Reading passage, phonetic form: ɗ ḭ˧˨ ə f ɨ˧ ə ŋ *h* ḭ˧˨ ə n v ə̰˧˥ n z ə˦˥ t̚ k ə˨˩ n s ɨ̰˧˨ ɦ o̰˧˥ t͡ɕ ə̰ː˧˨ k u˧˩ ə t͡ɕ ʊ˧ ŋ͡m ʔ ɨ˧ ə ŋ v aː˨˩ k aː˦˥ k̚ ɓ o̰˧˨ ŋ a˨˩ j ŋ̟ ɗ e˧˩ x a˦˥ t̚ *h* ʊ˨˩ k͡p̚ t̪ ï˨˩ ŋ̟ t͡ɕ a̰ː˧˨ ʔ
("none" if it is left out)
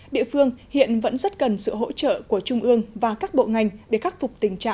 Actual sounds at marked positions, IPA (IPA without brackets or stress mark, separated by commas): h, f